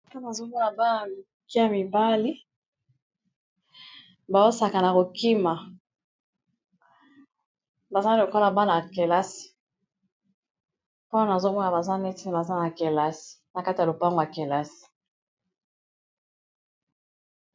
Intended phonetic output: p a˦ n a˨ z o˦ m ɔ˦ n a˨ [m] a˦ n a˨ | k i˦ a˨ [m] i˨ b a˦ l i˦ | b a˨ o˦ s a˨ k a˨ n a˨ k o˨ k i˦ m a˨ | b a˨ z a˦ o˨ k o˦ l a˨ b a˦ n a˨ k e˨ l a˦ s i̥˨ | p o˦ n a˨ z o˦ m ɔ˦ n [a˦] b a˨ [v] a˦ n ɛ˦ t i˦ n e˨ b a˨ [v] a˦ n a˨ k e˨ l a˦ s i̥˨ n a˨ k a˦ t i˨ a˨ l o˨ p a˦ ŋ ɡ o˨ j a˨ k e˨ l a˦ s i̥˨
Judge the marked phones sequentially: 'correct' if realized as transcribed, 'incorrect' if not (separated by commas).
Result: incorrect, correct, incorrect, incorrect, incorrect